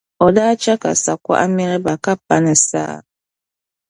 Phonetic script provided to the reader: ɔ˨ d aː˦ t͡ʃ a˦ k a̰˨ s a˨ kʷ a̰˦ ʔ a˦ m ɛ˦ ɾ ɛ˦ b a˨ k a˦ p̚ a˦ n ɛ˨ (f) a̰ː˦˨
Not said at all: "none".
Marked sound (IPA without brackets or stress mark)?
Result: s